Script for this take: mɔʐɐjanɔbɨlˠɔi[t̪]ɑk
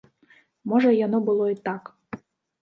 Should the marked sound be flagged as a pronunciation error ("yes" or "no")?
no